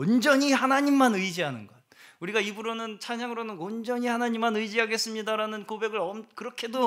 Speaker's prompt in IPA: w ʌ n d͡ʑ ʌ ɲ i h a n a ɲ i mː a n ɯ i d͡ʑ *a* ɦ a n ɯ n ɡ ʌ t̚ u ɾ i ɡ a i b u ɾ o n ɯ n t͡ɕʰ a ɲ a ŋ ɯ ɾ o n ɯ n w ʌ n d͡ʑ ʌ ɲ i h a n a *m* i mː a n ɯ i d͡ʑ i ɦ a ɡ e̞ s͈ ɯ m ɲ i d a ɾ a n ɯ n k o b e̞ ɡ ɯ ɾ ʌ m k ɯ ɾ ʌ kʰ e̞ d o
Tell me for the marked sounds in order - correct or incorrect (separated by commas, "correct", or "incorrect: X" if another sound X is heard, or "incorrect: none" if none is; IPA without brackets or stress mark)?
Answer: incorrect: i, incorrect: ɲ